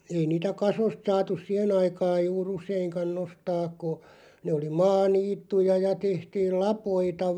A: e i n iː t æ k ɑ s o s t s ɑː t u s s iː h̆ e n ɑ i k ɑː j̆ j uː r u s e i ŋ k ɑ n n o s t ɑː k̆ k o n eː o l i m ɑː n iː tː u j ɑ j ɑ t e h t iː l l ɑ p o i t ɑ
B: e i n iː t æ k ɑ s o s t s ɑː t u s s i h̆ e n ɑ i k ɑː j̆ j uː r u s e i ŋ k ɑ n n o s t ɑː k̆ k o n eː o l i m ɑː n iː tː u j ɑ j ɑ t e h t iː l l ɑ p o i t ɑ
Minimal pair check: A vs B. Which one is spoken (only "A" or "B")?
B